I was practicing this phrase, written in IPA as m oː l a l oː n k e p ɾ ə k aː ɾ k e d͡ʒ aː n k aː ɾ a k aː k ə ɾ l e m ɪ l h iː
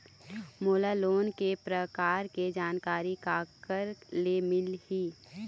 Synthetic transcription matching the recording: m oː l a l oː n k e p ɾ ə k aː ɾ k e d͡ʒ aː n k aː ɾ i k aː k ə ɾ l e m ɪ l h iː